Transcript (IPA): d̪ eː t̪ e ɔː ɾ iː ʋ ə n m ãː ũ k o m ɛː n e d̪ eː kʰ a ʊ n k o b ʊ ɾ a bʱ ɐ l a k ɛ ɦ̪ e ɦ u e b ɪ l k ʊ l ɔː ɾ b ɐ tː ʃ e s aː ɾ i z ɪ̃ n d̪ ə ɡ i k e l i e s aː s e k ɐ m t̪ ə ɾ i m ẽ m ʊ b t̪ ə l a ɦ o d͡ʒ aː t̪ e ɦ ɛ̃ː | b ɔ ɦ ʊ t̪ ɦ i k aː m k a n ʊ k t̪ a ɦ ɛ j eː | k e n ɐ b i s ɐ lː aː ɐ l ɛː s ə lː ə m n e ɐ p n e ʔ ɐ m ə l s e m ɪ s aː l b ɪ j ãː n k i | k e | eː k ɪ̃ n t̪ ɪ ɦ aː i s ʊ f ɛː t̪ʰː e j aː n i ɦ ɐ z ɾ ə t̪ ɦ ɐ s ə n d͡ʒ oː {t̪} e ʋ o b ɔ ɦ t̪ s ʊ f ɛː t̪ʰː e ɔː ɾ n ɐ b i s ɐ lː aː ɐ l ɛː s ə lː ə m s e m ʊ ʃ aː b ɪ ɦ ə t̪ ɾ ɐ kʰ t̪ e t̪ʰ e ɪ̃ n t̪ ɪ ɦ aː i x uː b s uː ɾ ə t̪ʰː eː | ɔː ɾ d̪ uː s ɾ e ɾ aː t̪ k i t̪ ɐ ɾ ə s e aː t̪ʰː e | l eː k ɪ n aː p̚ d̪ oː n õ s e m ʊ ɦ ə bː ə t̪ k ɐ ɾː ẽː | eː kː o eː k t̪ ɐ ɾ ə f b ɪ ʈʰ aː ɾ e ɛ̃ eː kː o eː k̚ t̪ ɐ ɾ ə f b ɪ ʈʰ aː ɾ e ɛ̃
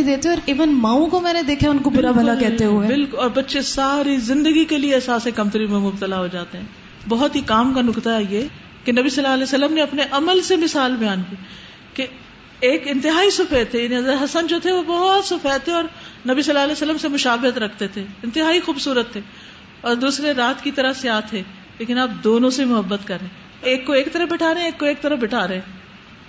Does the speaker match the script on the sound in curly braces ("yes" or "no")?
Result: no